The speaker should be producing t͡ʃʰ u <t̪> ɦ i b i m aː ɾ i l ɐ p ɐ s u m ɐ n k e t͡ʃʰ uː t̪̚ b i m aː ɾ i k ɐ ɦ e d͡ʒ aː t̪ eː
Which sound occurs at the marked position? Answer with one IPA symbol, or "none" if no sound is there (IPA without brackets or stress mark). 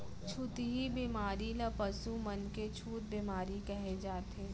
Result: t̪